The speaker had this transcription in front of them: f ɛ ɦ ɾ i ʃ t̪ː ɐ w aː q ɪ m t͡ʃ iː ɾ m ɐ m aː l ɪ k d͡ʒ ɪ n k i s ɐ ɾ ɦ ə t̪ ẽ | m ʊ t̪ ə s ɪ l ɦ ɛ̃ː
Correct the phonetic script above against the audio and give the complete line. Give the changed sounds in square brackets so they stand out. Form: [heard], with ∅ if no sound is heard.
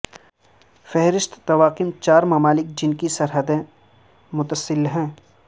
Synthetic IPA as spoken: f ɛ ɦ ɾ [ɪ] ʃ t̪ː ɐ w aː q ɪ m t͡ʃ [aː] ɾ m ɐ m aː l ɪ k d͡ʒ ɪ n k i s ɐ ɾ ɦ ə [d̪] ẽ | m ʊ t̪ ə s ɪ l ɦ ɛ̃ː